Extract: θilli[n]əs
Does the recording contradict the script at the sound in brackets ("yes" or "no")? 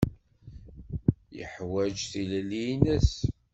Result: no